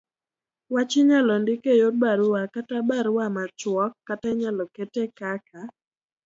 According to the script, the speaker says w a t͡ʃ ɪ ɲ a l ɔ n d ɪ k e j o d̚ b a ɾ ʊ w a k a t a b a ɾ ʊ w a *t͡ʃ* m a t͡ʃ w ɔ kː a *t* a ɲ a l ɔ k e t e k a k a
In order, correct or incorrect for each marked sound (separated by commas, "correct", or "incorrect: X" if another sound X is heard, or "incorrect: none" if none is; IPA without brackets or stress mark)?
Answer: incorrect: none, correct